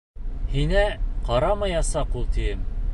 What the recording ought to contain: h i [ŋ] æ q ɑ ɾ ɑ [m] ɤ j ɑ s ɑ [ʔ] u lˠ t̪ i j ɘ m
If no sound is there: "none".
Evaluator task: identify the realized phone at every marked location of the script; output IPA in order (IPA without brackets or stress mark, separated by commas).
n, m, q